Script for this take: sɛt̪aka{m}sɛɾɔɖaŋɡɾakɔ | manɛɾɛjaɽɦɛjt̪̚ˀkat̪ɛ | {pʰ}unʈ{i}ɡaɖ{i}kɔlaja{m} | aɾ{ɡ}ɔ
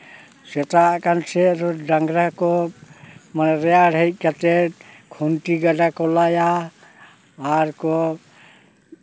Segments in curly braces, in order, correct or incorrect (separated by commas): incorrect, incorrect, correct, incorrect, incorrect, incorrect